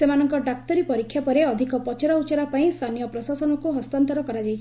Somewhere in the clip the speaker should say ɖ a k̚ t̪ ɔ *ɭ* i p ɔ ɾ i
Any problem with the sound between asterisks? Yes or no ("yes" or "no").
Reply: yes